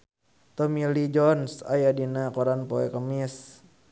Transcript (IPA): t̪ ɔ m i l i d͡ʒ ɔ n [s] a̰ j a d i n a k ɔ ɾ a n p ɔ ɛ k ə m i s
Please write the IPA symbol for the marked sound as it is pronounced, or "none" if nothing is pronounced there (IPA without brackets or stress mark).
s